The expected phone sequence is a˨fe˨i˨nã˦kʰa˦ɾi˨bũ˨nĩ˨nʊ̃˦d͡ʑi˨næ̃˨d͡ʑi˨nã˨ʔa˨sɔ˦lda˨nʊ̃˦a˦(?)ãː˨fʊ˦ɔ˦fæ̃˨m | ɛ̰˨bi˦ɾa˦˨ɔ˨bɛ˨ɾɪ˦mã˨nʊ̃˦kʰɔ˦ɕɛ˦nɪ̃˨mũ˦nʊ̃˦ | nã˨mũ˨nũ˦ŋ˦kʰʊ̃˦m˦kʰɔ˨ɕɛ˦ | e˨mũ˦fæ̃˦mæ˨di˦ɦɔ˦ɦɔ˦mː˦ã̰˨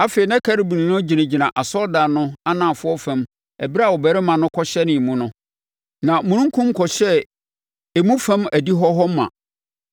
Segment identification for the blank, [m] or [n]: n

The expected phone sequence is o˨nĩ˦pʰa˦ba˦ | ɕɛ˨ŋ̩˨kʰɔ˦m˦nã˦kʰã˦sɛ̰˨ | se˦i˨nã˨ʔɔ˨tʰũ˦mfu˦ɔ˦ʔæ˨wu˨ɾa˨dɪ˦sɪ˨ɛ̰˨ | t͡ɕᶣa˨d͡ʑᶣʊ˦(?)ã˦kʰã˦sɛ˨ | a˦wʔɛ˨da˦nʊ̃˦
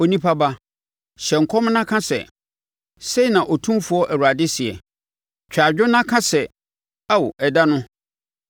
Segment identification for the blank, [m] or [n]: n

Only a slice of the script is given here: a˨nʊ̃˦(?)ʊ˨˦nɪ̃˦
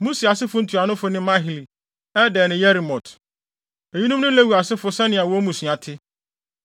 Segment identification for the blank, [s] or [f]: f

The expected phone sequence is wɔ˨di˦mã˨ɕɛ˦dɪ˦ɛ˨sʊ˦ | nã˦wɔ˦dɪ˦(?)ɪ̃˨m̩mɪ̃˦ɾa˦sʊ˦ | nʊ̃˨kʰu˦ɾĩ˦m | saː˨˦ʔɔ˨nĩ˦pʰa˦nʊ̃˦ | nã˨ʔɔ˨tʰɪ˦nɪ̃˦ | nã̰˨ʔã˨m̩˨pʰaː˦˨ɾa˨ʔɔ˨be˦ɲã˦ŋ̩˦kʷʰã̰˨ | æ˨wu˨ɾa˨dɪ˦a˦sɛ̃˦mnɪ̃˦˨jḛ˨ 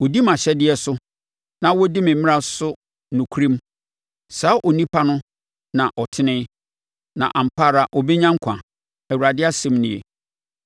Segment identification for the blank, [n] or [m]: m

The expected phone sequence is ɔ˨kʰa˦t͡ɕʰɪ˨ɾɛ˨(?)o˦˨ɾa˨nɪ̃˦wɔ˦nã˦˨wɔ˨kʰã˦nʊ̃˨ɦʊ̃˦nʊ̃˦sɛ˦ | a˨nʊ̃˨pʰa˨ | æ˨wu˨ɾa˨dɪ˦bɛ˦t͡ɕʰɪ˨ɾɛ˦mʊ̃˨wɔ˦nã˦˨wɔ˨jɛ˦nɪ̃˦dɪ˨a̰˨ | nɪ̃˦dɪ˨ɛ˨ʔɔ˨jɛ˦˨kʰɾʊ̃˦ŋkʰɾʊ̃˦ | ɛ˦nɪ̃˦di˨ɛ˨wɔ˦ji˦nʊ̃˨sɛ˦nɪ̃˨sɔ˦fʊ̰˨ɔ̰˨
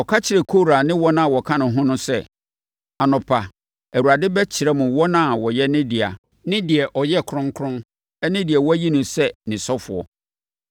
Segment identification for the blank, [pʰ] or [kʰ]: kʰ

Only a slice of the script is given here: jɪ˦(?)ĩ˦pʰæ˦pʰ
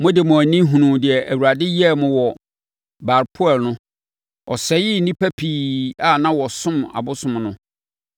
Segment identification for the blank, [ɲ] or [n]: n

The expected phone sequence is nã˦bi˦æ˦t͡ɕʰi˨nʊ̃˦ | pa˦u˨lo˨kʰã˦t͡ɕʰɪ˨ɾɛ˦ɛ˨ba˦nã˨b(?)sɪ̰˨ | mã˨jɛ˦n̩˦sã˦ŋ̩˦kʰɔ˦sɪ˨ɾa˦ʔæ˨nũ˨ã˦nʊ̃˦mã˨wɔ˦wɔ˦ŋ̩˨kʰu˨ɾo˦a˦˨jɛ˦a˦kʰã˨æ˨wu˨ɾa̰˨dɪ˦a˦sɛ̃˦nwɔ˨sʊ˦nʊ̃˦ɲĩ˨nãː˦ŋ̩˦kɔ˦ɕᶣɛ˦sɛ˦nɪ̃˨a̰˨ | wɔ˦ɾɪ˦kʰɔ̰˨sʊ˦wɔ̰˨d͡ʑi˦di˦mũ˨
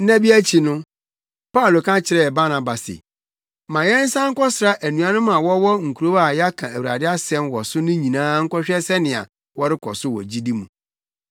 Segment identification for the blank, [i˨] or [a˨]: a˨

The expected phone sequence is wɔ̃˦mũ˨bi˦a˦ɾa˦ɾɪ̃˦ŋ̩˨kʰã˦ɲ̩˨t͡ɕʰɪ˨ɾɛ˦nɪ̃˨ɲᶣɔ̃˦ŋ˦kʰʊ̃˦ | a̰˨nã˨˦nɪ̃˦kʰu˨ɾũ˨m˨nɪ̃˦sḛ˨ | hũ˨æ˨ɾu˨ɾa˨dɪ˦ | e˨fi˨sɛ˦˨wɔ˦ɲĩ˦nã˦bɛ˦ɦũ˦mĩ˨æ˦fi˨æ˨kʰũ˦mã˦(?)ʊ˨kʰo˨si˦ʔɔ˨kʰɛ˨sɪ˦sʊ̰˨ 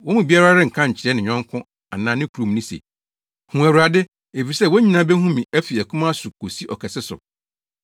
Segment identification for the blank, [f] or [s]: s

